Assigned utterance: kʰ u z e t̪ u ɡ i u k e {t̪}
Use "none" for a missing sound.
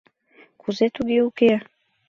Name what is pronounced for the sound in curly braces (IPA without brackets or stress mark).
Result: none